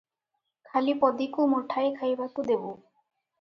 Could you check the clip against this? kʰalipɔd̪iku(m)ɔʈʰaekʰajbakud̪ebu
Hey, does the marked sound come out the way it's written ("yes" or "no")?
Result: yes